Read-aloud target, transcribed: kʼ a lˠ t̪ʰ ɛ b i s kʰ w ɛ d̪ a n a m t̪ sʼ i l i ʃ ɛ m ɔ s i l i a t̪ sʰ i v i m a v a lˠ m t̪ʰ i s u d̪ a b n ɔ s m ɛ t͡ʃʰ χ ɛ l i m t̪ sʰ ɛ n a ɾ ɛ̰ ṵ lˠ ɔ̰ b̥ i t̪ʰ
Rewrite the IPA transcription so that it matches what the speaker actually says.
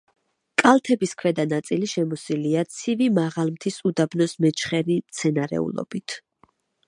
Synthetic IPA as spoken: kʼ a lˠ t̪ʰ ɛ b i s kʰ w ɛ d̪ a n a t̪ sʼ i l i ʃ ɛ m ɔ s i l i a t̪ sʰ i v i m a ʁ a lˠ m t̪ʰ i s u d̪ a b n ɔ s m ɛ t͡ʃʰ χ ɛ ɾ i m t̪ sʰ ɛ n a ɾ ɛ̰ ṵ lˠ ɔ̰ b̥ i t̪ʰ